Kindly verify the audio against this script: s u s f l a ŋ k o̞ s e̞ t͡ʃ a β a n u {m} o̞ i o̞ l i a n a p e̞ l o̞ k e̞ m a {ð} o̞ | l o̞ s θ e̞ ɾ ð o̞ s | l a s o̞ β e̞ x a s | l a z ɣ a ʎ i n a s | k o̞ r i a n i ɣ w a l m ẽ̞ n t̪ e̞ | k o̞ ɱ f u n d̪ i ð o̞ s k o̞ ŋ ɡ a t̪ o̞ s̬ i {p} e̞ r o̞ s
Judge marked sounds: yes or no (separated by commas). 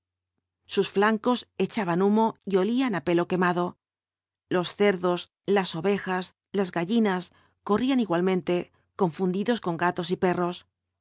yes, yes, yes